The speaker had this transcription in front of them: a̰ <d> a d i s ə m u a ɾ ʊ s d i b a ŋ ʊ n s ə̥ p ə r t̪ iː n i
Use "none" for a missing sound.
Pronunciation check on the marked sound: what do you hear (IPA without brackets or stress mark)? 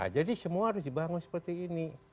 d͡ʒ